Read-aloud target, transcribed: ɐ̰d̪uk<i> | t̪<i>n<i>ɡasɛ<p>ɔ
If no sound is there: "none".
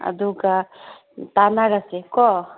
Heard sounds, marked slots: a, a, a, k

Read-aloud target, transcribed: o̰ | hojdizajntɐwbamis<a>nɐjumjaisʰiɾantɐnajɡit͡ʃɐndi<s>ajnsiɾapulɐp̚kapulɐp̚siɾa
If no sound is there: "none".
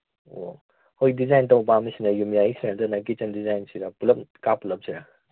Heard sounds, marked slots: i, z

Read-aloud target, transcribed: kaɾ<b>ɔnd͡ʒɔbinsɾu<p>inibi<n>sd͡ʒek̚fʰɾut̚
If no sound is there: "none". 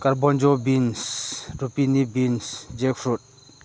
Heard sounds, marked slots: b, p, n

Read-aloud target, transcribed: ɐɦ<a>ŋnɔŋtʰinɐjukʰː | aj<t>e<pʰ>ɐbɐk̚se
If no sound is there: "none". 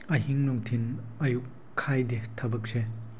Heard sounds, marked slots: i, d, tʰ

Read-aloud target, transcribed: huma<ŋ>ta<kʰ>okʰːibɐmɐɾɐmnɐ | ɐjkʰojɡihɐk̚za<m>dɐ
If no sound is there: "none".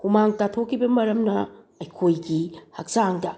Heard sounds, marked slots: ŋ, tʰ, ŋ

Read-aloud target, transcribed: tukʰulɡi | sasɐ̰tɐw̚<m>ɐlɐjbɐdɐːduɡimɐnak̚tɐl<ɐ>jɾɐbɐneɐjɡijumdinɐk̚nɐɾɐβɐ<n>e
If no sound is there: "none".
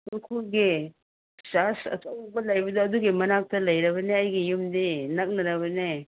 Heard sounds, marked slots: b, ɐ, n

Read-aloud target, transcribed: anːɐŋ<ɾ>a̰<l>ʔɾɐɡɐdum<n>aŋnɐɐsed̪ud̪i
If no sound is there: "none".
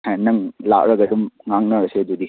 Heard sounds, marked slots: l, none, ŋ

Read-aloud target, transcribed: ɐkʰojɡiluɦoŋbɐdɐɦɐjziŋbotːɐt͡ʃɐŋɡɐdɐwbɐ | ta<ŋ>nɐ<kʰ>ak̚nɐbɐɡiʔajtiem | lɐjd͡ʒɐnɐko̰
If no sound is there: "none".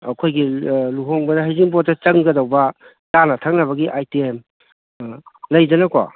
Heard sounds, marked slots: none, tʰ

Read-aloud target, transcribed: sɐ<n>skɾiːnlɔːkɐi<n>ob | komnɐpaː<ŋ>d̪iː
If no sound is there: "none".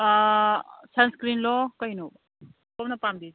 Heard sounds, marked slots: n, n, m

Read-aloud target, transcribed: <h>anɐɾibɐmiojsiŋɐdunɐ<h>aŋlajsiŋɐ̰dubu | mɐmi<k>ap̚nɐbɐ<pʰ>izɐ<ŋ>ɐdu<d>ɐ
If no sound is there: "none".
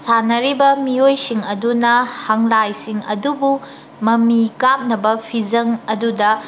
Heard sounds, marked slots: s, h, k, pʰ, ŋ, d

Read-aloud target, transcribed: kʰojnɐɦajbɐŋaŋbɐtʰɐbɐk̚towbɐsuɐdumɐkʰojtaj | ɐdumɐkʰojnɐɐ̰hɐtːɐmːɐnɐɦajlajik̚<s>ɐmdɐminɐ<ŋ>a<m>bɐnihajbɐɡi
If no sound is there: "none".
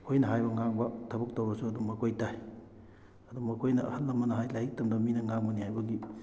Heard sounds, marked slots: t, ŋ, ŋ

